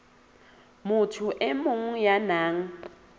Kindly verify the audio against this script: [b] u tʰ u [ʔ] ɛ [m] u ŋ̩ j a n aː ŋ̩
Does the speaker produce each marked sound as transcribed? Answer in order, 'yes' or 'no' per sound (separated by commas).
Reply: no, yes, yes